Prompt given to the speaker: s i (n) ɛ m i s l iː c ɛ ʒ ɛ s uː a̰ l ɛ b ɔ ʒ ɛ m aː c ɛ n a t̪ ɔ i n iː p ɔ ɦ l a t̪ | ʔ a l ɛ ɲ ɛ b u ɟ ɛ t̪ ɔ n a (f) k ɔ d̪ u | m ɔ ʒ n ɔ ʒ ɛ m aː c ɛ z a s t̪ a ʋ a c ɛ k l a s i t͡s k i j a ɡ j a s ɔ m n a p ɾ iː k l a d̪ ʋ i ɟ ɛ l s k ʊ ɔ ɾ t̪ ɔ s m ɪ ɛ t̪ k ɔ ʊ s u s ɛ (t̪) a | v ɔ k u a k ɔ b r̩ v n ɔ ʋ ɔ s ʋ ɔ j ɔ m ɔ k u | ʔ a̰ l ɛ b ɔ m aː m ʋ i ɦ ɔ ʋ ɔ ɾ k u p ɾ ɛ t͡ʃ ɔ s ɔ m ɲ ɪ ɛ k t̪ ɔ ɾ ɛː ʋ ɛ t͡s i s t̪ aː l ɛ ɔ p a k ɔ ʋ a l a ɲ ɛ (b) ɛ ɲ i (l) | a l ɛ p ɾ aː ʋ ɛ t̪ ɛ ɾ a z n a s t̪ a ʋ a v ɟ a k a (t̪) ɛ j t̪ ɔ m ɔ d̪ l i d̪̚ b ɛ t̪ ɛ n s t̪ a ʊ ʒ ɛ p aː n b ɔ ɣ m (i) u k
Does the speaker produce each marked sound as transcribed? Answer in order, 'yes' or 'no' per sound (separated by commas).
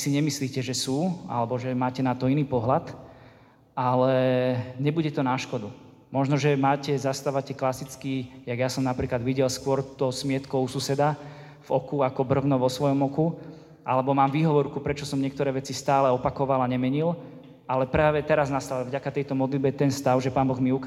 no, no, no, no, yes, yes, yes